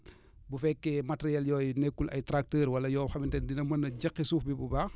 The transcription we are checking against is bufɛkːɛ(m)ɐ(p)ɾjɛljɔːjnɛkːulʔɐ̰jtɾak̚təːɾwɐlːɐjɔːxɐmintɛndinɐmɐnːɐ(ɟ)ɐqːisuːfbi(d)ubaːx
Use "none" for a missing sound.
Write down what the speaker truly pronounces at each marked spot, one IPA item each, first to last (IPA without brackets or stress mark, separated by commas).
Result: m, t, ɟ, b